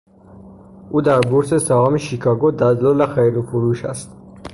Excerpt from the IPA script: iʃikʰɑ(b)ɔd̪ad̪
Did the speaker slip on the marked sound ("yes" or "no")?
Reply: yes